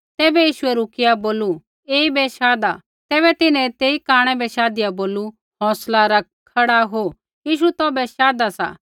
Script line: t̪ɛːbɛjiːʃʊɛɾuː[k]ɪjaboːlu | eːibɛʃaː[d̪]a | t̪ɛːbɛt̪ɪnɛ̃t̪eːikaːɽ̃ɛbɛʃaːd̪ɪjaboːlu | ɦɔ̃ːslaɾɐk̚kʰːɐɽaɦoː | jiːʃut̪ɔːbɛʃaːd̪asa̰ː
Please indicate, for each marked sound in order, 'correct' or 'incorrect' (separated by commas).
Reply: correct, correct